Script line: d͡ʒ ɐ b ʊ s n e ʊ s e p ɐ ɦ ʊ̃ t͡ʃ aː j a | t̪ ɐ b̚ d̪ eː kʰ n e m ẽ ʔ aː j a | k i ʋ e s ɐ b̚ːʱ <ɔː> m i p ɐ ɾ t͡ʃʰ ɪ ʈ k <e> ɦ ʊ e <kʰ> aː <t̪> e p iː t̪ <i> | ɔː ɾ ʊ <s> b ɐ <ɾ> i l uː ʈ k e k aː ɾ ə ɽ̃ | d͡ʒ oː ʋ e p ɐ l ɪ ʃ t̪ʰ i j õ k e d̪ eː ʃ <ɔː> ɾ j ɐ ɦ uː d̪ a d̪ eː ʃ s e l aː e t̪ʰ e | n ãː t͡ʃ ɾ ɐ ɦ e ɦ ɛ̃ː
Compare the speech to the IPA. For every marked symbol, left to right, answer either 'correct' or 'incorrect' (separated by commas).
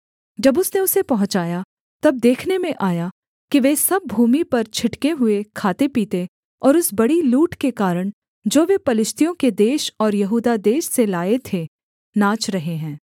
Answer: incorrect, correct, correct, correct, incorrect, correct, incorrect, correct